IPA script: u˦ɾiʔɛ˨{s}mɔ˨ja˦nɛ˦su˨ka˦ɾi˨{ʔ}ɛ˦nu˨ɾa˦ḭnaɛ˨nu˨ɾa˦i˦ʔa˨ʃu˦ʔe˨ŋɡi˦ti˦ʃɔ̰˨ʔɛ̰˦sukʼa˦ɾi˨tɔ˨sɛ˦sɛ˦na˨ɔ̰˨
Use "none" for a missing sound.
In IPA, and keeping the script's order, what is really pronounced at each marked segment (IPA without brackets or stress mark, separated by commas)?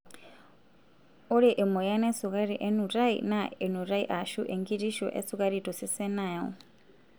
none, ʔ